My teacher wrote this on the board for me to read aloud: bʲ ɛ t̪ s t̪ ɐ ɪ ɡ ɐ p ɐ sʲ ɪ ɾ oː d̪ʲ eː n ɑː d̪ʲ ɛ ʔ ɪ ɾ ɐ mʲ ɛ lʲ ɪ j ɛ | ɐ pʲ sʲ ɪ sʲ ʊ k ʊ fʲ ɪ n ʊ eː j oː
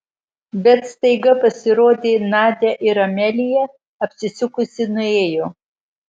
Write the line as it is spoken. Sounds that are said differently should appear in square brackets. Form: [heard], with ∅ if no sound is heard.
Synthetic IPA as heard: bʲ ɛ t̪ s t̪ ɐ ɪ ɡ ɐ p ɐ sʲ ɪ ɾ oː d̪ʲ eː n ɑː d̪ʲ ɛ ʔ ɪ ɾ ɐ mʲ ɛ lʲ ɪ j ɛ | ɐ pʲ sʲ ɪ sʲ ʊ k ʊ [sʲ] ɪ n ʊ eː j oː